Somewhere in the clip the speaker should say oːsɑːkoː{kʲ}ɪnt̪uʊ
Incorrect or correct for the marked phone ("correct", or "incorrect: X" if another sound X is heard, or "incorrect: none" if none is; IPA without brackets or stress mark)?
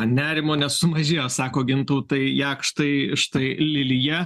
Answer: incorrect: ɡʲ